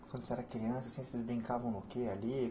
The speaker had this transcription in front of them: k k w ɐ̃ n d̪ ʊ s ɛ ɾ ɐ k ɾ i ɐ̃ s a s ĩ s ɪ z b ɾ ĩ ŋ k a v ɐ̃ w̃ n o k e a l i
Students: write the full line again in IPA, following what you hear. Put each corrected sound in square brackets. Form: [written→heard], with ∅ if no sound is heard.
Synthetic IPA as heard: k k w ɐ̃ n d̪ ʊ s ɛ ɾ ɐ k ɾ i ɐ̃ s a s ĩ s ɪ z b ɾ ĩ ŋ k a v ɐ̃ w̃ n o k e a l i